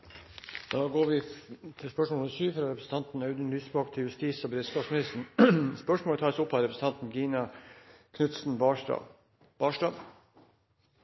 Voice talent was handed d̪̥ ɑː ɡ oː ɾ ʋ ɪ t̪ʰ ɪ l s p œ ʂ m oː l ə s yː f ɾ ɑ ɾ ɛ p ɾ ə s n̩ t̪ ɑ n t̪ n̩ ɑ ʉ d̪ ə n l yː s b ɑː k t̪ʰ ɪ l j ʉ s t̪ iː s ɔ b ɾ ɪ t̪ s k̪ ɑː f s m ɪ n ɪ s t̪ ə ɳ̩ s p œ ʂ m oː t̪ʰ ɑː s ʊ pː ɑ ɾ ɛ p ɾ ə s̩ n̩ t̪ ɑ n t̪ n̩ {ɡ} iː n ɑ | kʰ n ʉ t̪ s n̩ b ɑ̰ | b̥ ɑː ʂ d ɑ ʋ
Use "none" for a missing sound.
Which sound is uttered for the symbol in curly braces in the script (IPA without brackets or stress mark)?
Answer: ɡ